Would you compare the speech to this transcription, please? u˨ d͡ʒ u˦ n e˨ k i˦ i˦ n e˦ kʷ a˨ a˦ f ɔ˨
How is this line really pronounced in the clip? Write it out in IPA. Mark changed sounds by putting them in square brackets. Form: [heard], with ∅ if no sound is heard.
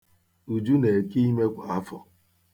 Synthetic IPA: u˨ d͡ʒ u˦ n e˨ k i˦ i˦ [m] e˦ kʷ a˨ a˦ f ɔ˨